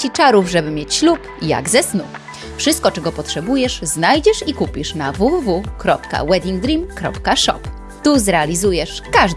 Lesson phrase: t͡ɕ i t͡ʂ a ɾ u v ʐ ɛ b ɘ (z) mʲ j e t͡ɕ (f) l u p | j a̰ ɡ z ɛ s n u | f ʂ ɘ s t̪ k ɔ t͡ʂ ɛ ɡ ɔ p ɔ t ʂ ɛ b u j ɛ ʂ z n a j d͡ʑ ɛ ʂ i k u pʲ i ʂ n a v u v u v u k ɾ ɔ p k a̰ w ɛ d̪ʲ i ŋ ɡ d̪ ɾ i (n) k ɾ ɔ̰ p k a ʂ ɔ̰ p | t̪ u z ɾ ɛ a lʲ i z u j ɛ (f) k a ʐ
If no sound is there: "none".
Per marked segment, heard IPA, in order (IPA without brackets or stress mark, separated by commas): none, ɕ, m, ʂ